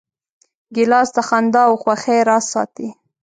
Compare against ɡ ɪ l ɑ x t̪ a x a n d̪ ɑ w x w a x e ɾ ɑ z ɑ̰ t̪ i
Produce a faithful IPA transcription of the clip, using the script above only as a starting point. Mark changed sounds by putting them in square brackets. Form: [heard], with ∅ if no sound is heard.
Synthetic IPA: ɡ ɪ l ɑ [s] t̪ a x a n d̪ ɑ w x w a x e ɾ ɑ [s] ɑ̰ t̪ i